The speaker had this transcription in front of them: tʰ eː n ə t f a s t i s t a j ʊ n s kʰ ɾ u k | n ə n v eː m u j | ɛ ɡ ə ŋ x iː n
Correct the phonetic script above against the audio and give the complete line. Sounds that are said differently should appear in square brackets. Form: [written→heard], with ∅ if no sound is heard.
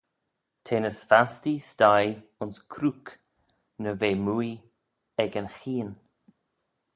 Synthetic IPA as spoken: tʰ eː n ə [t→s] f a s t i s t a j ʊ n s kʰ ɾ u k | n ə [n→∅] v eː m u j | ɛ ɡ ə [ŋ→n] x iː n